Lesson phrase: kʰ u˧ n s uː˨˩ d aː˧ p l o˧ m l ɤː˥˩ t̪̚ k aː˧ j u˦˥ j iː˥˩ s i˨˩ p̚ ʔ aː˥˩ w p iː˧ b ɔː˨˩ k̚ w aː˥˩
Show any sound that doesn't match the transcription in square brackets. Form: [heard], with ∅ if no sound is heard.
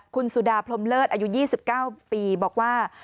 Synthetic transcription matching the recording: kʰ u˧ n s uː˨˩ d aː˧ [pʰ] l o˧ m l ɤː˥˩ t̪̚ [ʔ] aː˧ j u˦˥ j iː˥˩ s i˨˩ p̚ [k] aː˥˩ w p iː˧ b ɔː˨˩ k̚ w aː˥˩

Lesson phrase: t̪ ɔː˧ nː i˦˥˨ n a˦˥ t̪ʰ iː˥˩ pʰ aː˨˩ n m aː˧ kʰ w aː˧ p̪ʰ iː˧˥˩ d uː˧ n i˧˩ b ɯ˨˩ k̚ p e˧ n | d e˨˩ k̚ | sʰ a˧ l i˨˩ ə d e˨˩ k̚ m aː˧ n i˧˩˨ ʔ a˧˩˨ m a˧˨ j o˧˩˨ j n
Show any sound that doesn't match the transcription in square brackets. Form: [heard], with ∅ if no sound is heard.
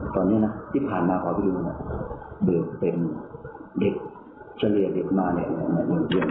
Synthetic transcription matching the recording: t̪ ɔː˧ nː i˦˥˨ n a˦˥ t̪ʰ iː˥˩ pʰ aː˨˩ n m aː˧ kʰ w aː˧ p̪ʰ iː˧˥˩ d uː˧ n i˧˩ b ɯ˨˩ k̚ p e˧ n | d e˨˩ k̚ | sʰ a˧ l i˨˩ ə d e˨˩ k̚ m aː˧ n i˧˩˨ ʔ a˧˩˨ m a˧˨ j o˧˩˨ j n

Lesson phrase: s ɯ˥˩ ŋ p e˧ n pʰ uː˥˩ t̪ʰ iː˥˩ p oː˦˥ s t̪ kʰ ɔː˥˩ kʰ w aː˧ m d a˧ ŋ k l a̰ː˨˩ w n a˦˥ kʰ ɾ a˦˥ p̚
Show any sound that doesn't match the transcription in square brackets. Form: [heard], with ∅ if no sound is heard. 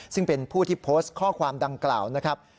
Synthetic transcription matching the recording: s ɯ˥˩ ŋ p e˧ n pʰ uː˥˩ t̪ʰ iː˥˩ [pʰ] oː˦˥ s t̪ kʰ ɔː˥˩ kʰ w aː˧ m d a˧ ŋ k l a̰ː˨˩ w n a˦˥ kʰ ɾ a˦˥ p̚

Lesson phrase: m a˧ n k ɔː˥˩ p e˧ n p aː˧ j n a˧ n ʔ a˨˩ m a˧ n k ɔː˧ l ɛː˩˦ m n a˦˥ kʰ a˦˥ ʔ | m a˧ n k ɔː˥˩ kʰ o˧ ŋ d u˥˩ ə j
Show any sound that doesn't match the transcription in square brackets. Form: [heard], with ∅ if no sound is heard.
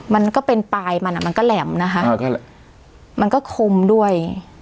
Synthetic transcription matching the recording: m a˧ n k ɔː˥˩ p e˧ n p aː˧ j [m] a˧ n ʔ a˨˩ m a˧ n k [ɔː˥˩] l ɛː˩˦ m n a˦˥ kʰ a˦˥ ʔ | m a˧ n k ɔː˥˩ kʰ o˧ [m] d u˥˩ ə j

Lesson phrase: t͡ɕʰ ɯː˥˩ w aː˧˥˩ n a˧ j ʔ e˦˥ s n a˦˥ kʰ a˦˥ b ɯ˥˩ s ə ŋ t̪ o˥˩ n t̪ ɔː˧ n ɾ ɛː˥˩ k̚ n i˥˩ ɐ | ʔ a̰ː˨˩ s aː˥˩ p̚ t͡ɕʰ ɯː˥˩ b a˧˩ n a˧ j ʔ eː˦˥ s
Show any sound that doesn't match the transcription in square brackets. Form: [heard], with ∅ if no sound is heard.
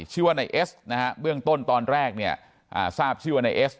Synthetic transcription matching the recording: t͡ɕʰ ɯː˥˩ w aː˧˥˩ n a˧ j ʔ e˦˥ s n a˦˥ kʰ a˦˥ b ɯ˥˩ [∅] ə ŋ t̪ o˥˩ n t̪ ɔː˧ n ɾ ɛː˥˩ k̚ n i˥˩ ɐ | ʔ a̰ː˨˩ s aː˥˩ p̚ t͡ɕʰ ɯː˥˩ [w] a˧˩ n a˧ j ʔ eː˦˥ s

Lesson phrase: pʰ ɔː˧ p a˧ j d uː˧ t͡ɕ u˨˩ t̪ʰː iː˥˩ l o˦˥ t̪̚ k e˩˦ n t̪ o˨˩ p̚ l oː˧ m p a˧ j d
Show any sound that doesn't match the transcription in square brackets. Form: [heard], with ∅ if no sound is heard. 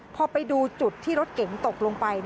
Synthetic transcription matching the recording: pʰ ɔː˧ p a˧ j d uː˧ t͡ɕ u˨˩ t̪ʰː iː˥˩ [ɾ] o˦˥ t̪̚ k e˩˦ [ŋ] t̪ o˨˩ [k̚] l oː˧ [ŋ] p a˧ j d

